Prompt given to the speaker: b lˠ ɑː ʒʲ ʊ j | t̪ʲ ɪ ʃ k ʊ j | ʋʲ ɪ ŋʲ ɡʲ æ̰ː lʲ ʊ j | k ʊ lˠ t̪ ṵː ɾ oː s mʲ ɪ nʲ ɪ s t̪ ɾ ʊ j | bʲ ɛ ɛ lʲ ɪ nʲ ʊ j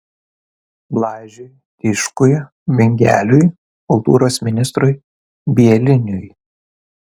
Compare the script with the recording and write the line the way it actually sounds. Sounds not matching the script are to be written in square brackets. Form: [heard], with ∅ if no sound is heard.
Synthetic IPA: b lˠ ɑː ʒʲ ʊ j | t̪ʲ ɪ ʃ k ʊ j | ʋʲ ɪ ŋʲ ɡʲ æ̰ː lʲ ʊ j | k ʊ lˠ t̪ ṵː ɾ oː s mʲ ɪ nʲ ɪ s t̪ ɾ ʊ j | bʲ [i] ɛ lʲ ɪ nʲ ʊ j